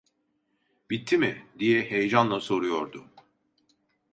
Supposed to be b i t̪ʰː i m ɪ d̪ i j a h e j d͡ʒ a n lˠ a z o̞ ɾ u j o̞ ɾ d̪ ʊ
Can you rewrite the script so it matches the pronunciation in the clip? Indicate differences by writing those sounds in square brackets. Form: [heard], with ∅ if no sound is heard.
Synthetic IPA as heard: b i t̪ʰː i m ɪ d̪ i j [ɛ] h e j d͡ʒ a n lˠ a [s] o̞ ɾ u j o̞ ɾ d̪ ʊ

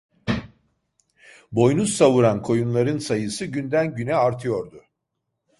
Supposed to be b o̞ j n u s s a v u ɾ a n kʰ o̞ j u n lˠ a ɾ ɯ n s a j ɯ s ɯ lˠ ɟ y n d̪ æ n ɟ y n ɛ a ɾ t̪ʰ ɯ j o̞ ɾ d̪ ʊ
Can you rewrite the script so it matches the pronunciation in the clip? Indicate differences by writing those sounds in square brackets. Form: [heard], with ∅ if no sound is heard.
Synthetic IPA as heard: b o̞ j n u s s a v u ɾ a n kʰ o̞ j u n lˠ a ɾ ɯ n s a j ɯ s ɯ [∅] ɟ y n d̪ æ n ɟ y n ɛ a ɾ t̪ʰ ɯ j o̞ ɾ d̪ ʊ

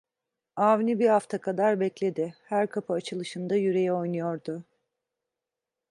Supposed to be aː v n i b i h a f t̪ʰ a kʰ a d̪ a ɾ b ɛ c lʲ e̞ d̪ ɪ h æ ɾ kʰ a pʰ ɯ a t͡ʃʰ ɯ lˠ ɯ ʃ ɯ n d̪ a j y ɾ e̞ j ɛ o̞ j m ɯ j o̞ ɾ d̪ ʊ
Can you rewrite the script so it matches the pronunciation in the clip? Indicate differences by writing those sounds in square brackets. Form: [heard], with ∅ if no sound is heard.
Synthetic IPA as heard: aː v n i b i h a f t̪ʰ a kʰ a d̪ a ɾ b ɛ c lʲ e̞ d̪ ɪ h æ ɾ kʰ a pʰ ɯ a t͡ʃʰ ɯ lˠ ɯ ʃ ɯ n d̪ a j y ɾ e̞ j ɛ o̞ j [n] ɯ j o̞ ɾ d̪ ʊ

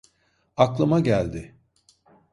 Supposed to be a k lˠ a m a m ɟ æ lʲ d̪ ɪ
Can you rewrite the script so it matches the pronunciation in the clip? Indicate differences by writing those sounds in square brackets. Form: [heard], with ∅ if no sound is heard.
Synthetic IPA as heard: a k lˠ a m a [∅] ɟ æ lʲ d̪ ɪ

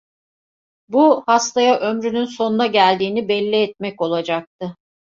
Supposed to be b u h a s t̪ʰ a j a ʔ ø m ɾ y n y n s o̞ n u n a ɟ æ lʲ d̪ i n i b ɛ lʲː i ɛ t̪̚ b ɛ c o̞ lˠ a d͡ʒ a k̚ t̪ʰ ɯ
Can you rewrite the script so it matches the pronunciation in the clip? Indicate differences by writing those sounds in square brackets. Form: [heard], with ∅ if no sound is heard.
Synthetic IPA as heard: b u h a s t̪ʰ a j a ʔ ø m ɾ y n y n s o̞ n u n a ɟ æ lʲ d̪ [iː] n i b ɛ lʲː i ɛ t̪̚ [m] ɛ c o̞ lˠ a d͡ʒ a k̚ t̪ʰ ɯ

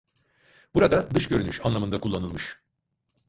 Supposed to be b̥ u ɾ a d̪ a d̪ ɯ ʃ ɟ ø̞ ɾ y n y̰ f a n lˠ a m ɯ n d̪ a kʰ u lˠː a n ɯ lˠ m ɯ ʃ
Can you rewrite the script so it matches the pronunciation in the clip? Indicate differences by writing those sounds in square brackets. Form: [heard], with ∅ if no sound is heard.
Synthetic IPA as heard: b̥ u ɾ a d̪ a d̪ ɯ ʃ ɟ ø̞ ɾ y n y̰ [ʃ] a n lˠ a m ɯ n d̪ a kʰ u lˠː a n ɯ lˠ m ɯ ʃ

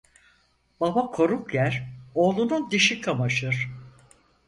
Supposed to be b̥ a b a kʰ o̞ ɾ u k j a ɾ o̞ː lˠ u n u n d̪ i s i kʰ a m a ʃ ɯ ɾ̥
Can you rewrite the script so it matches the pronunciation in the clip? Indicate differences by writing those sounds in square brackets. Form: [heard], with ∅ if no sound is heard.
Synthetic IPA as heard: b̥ a b a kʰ o̞ ɾ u k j [æ] ɾ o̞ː lˠ u n u n d̪ i [ʃ] i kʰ a m a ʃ ɯ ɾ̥

